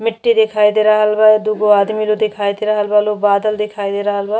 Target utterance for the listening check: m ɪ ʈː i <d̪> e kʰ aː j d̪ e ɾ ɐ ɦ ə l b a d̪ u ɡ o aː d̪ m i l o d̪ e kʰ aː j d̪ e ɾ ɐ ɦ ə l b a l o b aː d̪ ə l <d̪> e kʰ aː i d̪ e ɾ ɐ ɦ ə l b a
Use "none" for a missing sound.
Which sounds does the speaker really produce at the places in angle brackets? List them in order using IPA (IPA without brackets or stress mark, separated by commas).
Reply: d̪, d̪